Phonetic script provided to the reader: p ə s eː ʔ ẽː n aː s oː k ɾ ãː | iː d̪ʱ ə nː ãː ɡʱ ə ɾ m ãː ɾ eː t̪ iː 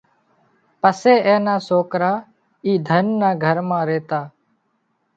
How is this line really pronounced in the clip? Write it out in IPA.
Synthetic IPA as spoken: p ə s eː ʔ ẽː n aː s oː k ɾ aː | iː d̪ʱ ə nː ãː ɡʱ ə ɾ m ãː ɾ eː t̪ aː